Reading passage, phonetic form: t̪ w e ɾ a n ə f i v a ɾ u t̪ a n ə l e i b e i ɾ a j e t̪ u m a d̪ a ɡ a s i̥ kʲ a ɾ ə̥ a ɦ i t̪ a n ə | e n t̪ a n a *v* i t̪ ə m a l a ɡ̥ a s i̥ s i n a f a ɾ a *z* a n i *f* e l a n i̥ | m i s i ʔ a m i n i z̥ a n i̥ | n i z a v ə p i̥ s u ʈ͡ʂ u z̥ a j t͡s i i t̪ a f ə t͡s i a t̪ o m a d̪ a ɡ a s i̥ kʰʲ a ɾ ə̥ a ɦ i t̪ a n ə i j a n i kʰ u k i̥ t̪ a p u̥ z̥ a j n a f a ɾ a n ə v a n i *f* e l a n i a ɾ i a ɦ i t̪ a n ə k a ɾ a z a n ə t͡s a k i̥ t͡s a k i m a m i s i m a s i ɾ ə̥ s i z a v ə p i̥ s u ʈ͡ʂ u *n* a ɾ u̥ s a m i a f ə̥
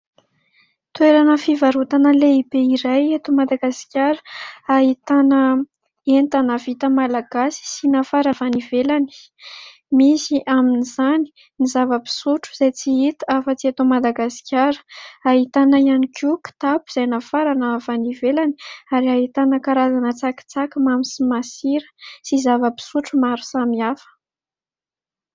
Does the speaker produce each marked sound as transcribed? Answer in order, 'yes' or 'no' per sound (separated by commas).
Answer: yes, no, no, no, no